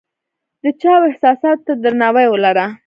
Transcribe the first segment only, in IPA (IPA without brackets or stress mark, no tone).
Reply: d̪